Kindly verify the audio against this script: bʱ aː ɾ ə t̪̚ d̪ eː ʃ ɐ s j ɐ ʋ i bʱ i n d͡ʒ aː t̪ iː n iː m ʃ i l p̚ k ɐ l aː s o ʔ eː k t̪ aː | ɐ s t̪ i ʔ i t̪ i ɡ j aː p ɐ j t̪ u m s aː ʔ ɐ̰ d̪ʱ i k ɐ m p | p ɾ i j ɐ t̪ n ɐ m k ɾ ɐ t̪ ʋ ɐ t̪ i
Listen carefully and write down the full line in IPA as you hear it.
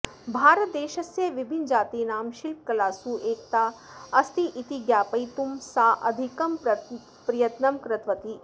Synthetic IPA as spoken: bʱ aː ɾ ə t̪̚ d̪ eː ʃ ɐ s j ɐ ʋ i bʱ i n d͡ʒ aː t̪ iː n aː m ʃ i l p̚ k ɐ l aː s u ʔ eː k t̪ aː | ɐ s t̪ i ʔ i t̪ i ɡ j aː p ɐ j t̪ u m s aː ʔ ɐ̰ d̪ʱ i k ɐ m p | p ɾ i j ɐ t̪ n ɐ m k ɾ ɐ t̪ ʋ ɐ t̪ i